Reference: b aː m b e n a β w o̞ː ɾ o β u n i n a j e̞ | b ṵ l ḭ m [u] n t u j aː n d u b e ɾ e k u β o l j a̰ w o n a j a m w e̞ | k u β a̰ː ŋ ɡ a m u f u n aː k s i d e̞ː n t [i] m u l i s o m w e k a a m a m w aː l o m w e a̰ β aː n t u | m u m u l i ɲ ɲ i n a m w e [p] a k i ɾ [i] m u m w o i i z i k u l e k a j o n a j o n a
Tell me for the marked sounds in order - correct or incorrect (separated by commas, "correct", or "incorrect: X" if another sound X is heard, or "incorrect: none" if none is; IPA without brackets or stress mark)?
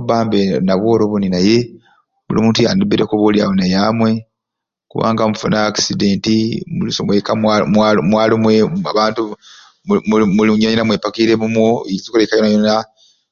incorrect: uː, correct, correct, incorrect: e